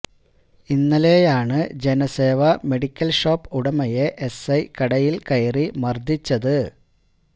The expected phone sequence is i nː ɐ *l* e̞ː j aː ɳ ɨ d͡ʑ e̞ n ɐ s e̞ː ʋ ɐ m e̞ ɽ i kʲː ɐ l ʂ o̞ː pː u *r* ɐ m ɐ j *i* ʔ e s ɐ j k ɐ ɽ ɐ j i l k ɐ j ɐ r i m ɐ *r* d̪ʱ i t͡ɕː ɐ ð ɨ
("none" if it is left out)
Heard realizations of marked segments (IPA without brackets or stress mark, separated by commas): l, ɽ, e, r